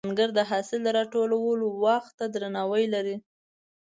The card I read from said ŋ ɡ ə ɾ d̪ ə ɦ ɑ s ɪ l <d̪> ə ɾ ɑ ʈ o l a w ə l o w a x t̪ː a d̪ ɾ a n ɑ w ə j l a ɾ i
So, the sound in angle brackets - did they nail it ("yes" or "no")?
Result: yes